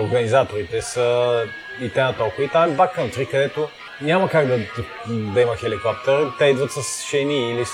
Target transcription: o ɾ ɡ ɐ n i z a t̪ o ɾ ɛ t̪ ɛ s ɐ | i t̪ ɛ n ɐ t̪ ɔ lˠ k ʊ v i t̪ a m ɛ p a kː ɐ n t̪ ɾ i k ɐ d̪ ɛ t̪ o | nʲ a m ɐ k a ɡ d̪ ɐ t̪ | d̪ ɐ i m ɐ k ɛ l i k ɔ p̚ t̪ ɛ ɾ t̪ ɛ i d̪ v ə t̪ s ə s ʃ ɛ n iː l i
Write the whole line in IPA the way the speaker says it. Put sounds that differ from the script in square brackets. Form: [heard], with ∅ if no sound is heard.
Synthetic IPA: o ɾ ɡ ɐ n i z a t̪ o ɾ [i] t̪ ɛ s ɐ | i t̪ ɛ n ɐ t̪ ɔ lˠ k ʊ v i t̪ a m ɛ [b] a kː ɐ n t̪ ɾ i k ɐ d̪ ɛ t̪ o | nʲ a m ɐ k a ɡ d̪ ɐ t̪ | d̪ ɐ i m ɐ [x] ɛ l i k ɔ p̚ t̪ ɛ ɾ t̪ ɛ i d̪ v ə t̪ s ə s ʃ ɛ n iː l i